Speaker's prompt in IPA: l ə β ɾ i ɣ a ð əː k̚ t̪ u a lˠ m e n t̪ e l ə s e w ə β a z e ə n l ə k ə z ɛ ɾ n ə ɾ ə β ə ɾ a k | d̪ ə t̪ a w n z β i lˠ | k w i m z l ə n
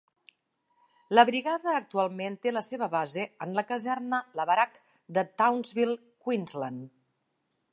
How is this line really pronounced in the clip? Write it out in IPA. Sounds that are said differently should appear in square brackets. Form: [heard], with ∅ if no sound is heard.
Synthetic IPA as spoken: l ə β ɾ i ɣ a ð əː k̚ t̪ u a lˠ m e n t̪ e l ə s e [β] ə β a z e ə n l ə k ə z ɛ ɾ n ə [l] ə β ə ɾ a k | d̪ ə t̪ a w n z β i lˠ | k w i [n] z l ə n

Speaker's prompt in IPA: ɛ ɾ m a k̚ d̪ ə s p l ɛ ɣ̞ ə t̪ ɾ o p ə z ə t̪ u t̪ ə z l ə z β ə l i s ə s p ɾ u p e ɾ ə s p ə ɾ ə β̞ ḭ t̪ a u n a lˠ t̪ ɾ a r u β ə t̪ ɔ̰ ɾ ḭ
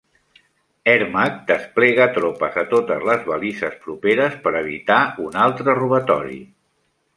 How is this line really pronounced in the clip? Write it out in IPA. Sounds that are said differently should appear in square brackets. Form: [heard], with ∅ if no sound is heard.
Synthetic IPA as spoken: ɛ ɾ m a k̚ d̪ ə s p l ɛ ɣ̞ ə t̪ ɾ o p ə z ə t̪ [o] t̪ ə z l ə z β ə l i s ə s p ɾ u p e ɾ ə s p ə ɾ ə β̞ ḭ t̪ a u n a lˠ t̪ ɾ [ə] r u β ə t̪ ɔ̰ ɾ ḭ

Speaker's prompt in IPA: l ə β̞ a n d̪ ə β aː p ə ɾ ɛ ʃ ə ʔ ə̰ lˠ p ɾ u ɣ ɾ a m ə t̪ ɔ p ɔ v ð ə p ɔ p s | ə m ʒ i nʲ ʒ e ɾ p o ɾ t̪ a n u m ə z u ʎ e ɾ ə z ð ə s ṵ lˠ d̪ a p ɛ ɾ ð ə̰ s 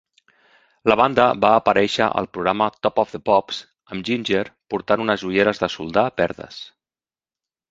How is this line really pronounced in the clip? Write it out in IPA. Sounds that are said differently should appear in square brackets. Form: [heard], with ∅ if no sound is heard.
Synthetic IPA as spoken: l ə β̞ a n d̪ ə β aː p ə ɾ ɛ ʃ ə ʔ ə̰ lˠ p ɾ u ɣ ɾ a m ə t̪ ɔ p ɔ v ð ə p ɔ p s | ə m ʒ i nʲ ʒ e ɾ p [u] ɾ t̪ a n u [n] ə z u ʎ e ɾ ə z ð ə s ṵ lˠ d̪ a p ɛ ɾ ð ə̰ s

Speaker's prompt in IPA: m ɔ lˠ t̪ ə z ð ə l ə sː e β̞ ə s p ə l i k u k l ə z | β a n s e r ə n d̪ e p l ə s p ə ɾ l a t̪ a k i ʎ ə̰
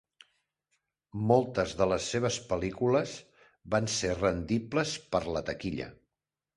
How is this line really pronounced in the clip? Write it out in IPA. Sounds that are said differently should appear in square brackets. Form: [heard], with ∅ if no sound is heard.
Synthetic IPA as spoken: m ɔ lˠ t̪ ə z ð ə l ə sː e β̞ ə s p ə l i k u [∅] l ə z | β a n s e r ə n d̪ [i] p l ə s p ə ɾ l [ə] t̪ [ə] k i ʎ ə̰

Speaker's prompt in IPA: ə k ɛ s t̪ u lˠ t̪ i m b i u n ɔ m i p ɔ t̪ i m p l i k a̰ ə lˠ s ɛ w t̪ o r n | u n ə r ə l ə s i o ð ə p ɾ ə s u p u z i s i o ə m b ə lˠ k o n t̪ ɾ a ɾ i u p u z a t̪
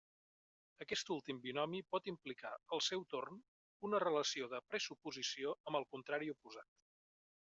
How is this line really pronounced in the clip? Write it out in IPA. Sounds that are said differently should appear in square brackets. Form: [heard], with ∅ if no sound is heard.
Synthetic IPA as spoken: ə k ɛ s t̪ u lˠ t̪ i m b i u n ɔ m i p ɔ t̪ i m p l i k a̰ ə lˠ s ɛ w t̪ o r n | u n ə r ə l ə s i o ð ə p ɾ ə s u p u z i s i o ə m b ə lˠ k [u] n t̪ ɾ a ɾ i u p u z a t̪

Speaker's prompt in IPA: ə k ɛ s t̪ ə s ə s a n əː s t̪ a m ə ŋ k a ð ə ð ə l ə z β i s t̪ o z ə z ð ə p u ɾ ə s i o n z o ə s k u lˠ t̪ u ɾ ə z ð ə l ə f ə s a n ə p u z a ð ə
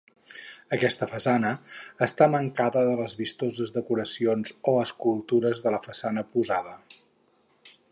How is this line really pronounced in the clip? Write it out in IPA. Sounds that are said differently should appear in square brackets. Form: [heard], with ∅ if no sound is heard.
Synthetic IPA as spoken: ə k ɛ s t̪ ə [f] ə s a n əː s t̪ a m ə ŋ k a ð ə ð ə l ə z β i s t̪ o z ə z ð ə [k] u ɾ ə s i o n z o ə s k u lˠ t̪ u ɾ ə z ð ə l ə f ə s a n ə p u z a ð ə

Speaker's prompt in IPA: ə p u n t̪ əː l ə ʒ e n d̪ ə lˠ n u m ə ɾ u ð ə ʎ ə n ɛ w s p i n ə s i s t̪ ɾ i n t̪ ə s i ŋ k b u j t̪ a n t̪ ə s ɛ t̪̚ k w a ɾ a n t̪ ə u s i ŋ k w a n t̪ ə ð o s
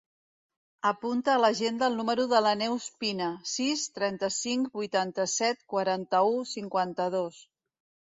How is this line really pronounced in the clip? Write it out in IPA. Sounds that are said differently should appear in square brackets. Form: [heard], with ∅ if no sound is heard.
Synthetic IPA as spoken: ə p u n t̪ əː l ə ʒ e n d̪ ə lˠ n u m ə ɾ u ð ə [l] ə n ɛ w s p i n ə s i s t̪ ɾ [ɛ] n t̪ ə s i ŋ k b u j t̪ a n t̪ ə s ɛ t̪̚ k w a ɾ a n t̪ ə u s i ŋ k w a n t̪ ə ð o s

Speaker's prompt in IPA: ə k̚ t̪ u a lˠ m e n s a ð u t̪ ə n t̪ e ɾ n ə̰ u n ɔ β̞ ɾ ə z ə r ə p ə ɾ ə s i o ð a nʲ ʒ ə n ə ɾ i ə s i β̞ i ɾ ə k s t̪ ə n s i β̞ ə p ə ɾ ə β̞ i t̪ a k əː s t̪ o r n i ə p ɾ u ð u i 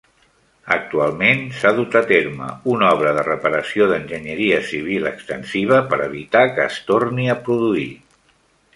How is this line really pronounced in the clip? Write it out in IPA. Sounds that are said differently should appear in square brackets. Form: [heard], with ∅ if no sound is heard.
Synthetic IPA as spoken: ə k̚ t̪ u a lˠ m e n s a ð u t̪ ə [∅] t̪ e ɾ [m] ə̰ u n ɔ β̞ ɾ ə [ð] ə r ə p ə ɾ ə s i o ð [ə] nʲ ʒ ə [ɲ] ə ɾ i ə s i β̞ i [l] ə k s t̪ ə n s i β̞ ə p ə ɾ ə β̞ i t̪ a k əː s t̪ o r n i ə p ɾ u ð u i

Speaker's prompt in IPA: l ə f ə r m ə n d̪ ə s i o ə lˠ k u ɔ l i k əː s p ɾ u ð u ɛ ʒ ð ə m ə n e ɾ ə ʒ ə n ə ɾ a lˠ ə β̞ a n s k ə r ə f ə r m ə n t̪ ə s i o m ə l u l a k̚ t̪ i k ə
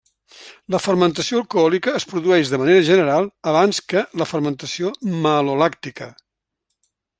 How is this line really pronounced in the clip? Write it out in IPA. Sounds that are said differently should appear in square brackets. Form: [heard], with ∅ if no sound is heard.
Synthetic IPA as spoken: l ə f ə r m ə n [t̪] ə s i o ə lˠ k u ɔ l i k əː s p ɾ u ð u ɛ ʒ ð ə m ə n e ɾ ə ʒ ə n ə ɾ a lˠ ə β̞ a n s k ə [l] ə f ə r m ə n t̪ ə s i o m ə l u l a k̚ t̪ i k ə

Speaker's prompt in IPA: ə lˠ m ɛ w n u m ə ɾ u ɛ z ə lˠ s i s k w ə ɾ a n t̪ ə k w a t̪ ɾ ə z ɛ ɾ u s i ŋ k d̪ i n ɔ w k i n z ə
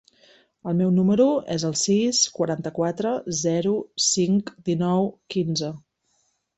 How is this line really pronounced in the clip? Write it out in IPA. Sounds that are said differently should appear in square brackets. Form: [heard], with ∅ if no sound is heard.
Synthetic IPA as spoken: ə lˠ m ɛ w n u m ə ɾ u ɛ z ə lˠ s i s k w ə ɾ a n t̪ ə k w a t̪ ɾ ə z ɛ ɾ u s i ŋ k d̪ i n ɔ w k i n z ə

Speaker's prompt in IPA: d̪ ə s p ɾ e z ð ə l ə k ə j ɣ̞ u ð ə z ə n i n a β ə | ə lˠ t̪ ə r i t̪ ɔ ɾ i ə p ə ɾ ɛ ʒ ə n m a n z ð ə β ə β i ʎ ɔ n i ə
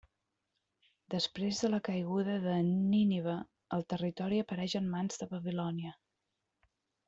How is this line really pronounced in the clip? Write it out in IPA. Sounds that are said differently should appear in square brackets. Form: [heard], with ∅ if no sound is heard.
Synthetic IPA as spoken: d̪ ə s p ɾ e z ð ə l ə k ə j ɣ̞ u ð ə [ð] ə n i n [i] β ə | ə lˠ t̪ ə r i t̪ ɔ ɾ i ə p ə ɾ ɛ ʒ ə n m a n z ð ə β ə β i [l] ɔ n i ə

